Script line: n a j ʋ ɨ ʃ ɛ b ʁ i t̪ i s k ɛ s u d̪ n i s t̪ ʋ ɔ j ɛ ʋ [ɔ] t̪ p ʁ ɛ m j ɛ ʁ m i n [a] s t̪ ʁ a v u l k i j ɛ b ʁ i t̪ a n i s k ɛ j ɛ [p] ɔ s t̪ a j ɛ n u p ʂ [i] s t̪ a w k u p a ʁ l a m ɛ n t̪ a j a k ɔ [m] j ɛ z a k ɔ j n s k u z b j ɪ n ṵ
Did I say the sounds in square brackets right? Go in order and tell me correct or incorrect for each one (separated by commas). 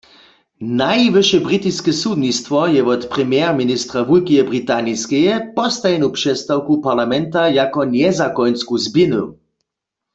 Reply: correct, incorrect, correct, incorrect, incorrect